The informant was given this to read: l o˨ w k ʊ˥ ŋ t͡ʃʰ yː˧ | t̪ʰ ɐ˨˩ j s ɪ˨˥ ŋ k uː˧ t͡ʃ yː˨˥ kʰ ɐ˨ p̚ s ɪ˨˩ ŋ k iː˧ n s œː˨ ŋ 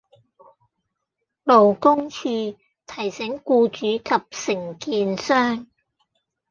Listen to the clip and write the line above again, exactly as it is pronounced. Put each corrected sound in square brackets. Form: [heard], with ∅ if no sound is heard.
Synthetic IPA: l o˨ w k ʊ˥ ŋ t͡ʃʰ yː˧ | t̪ʰ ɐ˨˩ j s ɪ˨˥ ŋ k uː˧ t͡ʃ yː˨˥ kʰ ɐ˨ p̚ s ɪ˨˩ ŋ k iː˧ n s [œː˥] ŋ